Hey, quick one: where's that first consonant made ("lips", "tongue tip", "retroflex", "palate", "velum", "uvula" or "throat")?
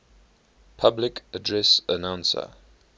lips